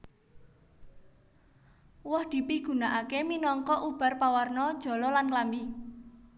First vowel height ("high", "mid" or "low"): mid